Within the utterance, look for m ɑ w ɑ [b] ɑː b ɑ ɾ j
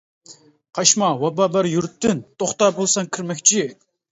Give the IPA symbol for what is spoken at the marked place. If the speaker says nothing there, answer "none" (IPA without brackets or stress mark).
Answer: b